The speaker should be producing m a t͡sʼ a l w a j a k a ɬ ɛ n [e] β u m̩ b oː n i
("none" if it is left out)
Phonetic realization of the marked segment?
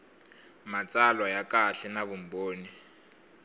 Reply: a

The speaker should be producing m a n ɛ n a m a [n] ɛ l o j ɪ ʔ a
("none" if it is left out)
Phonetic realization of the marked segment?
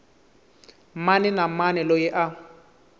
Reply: n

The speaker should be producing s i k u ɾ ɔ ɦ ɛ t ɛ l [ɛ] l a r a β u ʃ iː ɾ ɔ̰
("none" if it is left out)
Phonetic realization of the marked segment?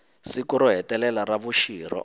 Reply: ɛ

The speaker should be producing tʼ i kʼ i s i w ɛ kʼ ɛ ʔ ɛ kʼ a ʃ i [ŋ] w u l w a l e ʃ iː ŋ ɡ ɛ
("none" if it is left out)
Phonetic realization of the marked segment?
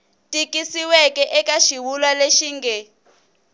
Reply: none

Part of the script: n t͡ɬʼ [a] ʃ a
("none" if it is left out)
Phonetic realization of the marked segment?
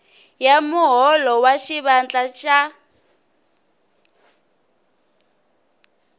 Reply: a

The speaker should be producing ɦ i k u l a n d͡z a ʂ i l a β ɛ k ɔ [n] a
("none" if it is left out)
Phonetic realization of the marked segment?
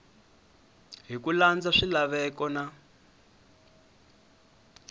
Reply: n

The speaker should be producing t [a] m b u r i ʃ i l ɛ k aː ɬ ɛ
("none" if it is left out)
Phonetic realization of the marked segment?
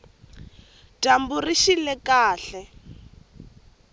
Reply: a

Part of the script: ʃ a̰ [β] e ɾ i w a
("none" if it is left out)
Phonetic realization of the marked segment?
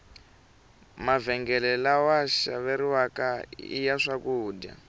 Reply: β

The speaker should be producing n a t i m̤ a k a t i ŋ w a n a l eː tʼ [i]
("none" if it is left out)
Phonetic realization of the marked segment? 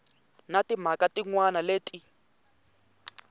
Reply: i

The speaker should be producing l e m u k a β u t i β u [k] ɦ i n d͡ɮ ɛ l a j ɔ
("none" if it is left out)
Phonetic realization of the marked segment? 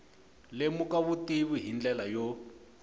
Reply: none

